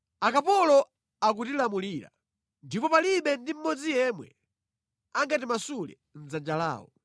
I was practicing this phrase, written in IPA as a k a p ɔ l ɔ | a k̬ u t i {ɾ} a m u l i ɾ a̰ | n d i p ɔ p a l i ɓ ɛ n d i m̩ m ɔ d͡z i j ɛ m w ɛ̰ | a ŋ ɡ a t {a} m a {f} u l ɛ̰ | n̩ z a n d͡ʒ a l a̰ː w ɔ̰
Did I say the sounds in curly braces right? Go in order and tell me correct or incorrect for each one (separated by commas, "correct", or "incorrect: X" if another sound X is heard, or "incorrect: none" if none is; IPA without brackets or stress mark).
incorrect: l, incorrect: i, incorrect: s